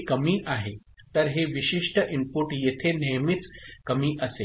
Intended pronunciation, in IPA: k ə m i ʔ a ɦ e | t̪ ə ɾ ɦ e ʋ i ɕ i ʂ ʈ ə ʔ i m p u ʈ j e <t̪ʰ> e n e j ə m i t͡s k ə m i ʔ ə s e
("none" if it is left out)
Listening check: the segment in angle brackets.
t̪ʰ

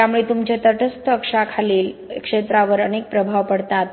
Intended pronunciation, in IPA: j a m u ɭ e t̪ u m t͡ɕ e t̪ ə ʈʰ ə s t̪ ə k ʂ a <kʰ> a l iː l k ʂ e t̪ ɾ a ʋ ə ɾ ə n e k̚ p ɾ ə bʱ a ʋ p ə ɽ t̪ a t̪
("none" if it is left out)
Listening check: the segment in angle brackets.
kʰ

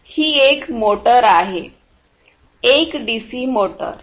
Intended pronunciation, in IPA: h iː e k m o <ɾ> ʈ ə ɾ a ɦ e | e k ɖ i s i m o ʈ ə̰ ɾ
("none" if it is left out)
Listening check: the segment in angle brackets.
none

